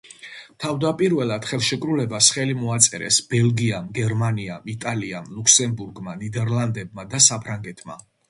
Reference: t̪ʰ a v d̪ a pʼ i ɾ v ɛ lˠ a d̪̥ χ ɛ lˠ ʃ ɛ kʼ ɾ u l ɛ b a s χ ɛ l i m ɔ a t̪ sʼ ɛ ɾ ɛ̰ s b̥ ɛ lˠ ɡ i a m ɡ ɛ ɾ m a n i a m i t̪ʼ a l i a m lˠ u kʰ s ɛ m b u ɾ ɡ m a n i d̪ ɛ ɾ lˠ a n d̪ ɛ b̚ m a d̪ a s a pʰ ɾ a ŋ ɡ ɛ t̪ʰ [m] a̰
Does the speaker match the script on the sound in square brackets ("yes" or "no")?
yes